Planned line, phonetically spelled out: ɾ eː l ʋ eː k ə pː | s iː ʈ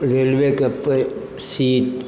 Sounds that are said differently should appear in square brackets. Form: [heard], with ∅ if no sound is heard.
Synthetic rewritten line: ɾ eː l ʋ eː k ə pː | s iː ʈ

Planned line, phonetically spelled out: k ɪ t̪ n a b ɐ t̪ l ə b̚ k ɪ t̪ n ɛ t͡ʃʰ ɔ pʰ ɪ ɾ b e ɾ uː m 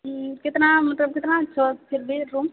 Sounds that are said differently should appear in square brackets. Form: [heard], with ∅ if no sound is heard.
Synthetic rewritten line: k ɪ t̪ n a [m] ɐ t̪ l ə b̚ k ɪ t̪ n [a] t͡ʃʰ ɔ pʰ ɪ ɾ b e ɾ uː m

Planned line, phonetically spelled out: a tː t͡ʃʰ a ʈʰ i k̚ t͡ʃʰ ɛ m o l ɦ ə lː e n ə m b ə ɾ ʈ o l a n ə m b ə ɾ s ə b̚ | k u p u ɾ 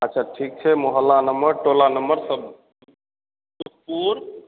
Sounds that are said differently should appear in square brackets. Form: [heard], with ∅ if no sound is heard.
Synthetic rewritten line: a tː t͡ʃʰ a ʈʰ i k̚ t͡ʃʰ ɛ m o [∅] ɦ ə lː [a] n ə m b ə ɾ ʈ o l a n ə m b ə ɾ s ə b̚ | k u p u ɾ

